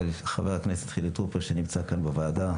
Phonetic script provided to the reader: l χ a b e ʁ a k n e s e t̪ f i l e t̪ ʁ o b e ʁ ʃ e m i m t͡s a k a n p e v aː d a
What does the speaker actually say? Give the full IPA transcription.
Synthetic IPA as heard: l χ a v e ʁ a k n e s e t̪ χ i l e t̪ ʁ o p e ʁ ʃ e n i m t͡s a k a n b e v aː d a